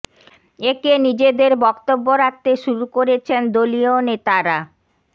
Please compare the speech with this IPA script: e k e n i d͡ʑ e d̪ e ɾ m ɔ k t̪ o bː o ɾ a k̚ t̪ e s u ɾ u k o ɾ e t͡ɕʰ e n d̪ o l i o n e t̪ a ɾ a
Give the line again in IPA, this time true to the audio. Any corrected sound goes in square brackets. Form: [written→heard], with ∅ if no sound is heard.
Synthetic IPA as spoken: e k e n i d͡ʑ e d̪ e ɾ [m→b] ɔ k t̪ o bː o ɾ a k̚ t̪ e [s→ʃ] u ɾ u k o ɾ e t͡ɕʰ e n d̪ o l i o n e t̪ a ɾ a